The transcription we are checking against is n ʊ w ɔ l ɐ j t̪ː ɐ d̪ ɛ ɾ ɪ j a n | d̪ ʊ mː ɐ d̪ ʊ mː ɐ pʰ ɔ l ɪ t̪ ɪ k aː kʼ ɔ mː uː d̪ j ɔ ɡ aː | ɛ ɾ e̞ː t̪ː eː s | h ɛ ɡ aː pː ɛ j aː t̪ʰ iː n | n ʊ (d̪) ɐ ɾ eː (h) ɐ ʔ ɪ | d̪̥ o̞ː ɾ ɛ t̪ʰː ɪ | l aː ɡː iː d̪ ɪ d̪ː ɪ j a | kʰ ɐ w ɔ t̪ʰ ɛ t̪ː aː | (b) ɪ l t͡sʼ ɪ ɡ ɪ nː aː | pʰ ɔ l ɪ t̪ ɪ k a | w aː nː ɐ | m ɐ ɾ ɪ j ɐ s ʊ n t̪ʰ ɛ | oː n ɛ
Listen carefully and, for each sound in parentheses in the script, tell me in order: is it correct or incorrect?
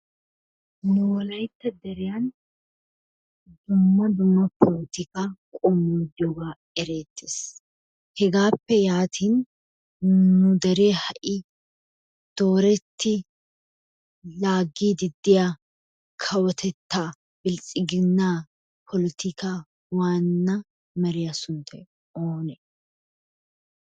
correct, correct, correct

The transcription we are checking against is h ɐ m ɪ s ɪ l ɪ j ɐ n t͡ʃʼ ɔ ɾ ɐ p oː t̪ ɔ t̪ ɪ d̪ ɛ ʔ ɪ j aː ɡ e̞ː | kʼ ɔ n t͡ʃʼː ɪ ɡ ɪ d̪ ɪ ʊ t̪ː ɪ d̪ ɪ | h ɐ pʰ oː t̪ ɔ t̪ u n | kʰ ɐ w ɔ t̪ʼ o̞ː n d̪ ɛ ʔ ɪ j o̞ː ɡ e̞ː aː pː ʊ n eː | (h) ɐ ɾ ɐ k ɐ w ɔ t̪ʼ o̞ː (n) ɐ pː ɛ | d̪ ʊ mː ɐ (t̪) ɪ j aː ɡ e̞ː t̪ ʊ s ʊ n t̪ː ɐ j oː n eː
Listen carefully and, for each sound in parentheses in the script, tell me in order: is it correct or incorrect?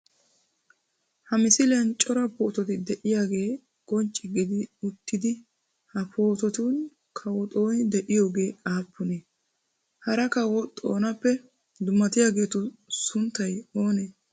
correct, correct, correct

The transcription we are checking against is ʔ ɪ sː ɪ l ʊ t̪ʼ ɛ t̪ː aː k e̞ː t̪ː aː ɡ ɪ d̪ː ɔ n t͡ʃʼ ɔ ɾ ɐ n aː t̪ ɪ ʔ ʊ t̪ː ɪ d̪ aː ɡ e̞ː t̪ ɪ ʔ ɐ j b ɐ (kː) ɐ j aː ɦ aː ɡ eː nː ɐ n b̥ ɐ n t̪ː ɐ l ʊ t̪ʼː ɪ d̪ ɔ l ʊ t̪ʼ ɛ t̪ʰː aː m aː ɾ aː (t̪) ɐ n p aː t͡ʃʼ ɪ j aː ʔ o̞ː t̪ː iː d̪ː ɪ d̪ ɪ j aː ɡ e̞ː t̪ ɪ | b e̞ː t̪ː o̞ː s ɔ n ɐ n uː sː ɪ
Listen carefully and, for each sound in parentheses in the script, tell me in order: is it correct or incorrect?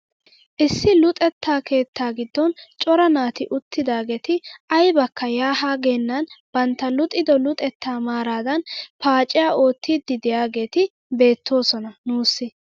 correct, incorrect: d̪

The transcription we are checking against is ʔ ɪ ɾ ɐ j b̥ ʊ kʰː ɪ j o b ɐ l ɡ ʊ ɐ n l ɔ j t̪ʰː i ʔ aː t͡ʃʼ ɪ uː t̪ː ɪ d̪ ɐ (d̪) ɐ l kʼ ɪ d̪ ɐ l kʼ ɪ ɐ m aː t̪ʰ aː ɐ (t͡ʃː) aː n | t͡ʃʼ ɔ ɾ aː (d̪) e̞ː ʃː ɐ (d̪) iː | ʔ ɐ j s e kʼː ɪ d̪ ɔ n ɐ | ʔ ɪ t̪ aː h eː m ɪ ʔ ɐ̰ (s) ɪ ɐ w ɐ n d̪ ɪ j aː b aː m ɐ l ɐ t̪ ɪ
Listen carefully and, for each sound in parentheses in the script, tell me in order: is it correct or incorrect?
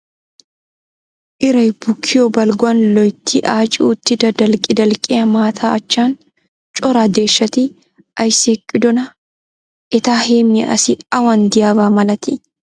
correct, correct, correct, incorrect: t̪, correct

